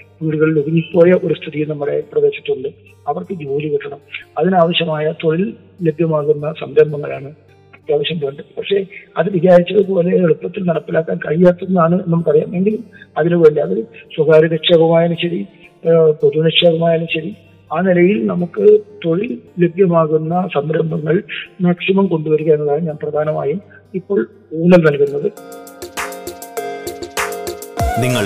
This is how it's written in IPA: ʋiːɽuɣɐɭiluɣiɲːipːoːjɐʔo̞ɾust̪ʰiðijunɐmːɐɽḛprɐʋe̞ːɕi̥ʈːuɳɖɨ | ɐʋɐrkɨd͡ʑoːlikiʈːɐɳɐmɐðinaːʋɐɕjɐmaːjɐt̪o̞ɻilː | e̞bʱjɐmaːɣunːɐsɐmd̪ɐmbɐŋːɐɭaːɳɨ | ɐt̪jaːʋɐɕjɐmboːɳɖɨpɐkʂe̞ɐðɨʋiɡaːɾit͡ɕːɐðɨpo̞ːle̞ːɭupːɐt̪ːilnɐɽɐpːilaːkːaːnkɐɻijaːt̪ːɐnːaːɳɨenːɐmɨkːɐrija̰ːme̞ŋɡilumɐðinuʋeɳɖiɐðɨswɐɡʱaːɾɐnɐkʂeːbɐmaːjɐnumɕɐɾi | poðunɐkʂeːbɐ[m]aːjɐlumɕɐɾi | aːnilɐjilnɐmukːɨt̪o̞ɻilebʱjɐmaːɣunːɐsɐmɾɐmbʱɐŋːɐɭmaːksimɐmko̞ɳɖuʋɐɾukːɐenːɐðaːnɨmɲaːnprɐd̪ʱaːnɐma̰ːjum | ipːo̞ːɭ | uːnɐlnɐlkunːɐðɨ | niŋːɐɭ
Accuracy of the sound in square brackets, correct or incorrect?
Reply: correct